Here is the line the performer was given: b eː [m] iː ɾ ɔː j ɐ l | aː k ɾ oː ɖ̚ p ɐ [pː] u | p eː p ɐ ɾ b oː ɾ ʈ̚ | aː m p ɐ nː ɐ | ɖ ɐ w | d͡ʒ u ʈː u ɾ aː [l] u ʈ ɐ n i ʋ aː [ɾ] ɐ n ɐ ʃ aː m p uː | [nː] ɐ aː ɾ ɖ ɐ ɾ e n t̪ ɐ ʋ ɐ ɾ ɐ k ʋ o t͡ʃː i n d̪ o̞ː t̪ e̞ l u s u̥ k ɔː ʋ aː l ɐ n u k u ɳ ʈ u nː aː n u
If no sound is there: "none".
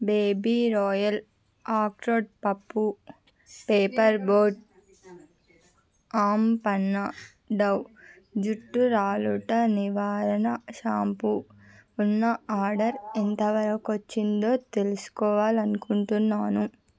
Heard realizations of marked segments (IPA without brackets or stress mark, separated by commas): b, pː, l, ɾ, nː